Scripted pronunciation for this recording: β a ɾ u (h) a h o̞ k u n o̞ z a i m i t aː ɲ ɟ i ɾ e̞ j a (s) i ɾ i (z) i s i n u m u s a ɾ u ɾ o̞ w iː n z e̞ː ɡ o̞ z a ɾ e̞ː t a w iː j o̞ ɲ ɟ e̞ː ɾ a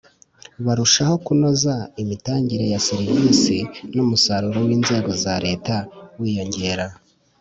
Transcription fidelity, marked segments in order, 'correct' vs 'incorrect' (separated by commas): incorrect, correct, incorrect